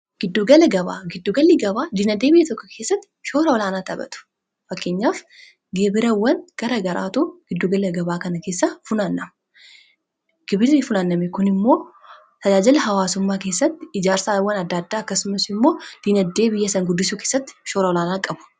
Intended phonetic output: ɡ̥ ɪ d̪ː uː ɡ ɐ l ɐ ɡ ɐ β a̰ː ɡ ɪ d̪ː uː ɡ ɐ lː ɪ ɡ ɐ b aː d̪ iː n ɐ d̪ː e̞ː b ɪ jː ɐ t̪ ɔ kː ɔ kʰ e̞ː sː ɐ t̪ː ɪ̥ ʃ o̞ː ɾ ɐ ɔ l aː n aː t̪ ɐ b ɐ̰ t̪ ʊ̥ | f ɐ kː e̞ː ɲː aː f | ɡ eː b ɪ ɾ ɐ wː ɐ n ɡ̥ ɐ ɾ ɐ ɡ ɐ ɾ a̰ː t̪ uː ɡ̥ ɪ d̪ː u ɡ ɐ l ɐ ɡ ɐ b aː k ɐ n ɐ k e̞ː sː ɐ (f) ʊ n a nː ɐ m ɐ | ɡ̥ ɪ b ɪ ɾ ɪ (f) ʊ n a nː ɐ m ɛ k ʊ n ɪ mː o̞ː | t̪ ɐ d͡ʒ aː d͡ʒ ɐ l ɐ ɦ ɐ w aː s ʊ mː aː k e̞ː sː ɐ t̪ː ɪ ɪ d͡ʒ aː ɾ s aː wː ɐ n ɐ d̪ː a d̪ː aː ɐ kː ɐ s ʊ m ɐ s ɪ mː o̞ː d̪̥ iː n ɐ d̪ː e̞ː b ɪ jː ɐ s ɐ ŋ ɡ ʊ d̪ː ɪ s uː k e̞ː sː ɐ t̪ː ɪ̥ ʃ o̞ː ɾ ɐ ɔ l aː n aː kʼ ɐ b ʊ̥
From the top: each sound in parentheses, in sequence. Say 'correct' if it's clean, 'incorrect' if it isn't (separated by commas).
correct, correct